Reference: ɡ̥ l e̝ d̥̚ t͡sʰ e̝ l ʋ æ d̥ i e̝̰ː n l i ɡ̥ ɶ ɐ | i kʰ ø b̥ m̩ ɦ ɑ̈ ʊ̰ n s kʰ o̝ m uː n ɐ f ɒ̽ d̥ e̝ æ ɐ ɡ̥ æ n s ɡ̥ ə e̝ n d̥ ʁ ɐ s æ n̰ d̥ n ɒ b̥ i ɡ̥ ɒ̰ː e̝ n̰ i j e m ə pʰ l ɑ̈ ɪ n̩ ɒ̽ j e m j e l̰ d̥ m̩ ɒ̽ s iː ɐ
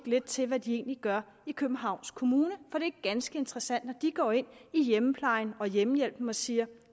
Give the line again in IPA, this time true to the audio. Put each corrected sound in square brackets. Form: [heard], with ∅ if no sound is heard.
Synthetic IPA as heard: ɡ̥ l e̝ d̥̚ t͡sʰ e̝ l ʋ æ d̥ i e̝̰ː n l i ɡ̥ ɶ ɐ | i kʰ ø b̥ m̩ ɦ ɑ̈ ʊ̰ n s kʰ o̝ m uː n [ə] f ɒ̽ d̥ e̝ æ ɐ ɡ̥ æ n s ɡ̥ ə e̝ n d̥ ʁ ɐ s æ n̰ d̥ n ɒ [d̥] i ɡ̥ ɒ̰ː e̝ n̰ i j e m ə pʰ l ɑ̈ ɪ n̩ ɒ̽ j e m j e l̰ [b̥] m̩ ɒ̽ s iː ɐ